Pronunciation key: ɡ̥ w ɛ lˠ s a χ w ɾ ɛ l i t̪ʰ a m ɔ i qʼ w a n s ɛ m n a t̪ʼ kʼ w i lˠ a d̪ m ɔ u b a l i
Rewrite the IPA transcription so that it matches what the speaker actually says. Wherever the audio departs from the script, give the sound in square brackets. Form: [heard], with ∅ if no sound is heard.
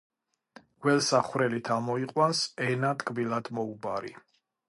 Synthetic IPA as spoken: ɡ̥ w ɛ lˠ s a χ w ɾ ɛ l i t̪ʰ a m ɔ i qʼ w a n s ɛ [∅] n a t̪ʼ kʼ [b] i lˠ a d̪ m ɔ u b a [ɾ] i